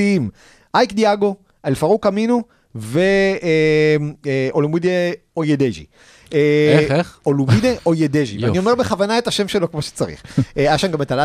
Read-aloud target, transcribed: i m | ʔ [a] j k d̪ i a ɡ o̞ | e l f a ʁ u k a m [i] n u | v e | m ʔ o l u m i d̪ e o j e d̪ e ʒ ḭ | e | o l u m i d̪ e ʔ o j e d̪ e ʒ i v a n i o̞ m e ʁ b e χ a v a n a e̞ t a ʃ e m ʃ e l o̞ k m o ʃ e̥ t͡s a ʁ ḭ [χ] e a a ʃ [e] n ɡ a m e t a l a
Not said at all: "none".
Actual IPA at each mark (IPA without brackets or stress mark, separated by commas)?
a, i, χ, a